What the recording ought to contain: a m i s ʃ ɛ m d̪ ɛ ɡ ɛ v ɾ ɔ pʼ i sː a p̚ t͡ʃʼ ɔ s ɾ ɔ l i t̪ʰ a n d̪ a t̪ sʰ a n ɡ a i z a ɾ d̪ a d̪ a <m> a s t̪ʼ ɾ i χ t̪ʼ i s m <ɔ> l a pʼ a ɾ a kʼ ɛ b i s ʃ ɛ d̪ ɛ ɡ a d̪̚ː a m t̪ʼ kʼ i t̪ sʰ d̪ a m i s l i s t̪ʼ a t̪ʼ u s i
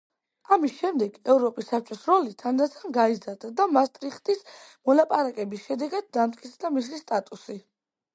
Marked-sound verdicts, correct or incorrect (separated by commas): correct, correct